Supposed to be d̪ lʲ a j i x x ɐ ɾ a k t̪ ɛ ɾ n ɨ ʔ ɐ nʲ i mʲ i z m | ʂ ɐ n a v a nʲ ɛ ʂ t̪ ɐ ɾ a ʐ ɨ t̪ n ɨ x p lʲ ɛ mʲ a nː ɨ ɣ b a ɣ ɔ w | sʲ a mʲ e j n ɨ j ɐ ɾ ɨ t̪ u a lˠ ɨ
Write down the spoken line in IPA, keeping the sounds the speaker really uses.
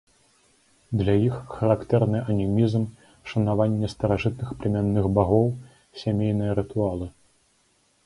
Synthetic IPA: d̪ lʲ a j i x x ɐ ɾ a k t̪ ɛ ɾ n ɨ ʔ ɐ nʲ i mʲ i z m | ʂ ɐ n a v a nʲː ɛ s t̪ ɐ ɾ a ʐ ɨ t̪ n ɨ x p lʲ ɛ mʲ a nː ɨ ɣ b a ɣ ɔ w | sʲ a mʲ e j n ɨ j ɐ ɾ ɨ t̪ u a lˠ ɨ